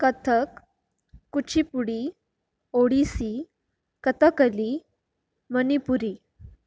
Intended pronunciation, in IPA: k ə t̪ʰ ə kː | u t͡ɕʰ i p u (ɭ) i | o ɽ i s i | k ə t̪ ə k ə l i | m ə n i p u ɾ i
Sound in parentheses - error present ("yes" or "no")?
yes